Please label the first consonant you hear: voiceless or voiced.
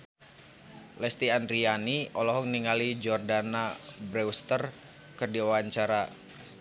voiced